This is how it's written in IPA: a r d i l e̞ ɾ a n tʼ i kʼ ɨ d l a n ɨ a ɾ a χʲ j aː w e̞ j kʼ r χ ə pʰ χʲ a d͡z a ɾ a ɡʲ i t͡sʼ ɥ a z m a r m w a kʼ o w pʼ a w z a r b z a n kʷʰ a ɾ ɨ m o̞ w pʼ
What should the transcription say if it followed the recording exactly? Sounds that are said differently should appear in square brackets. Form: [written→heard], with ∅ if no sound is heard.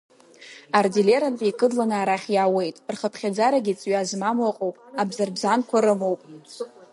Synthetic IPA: a r d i l e̞ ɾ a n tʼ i kʼ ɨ d l a n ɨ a ɾ a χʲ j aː w e̞ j [kʼ→tʼ] r χ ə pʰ χʲ a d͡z a ɾ a ɡʲ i t͡sʼ ɥ a z m a [r→∅] m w a [kʼ→qʼ] o w pʼ a [w→b] z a r b z a n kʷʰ a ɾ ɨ m o̞ w pʼ